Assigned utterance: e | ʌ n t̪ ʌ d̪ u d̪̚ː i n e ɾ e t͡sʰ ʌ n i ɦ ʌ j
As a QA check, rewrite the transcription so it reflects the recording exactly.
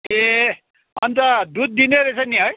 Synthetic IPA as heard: e | ʌ n t̪ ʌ d̪ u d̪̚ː i n e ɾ e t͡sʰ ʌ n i ɦ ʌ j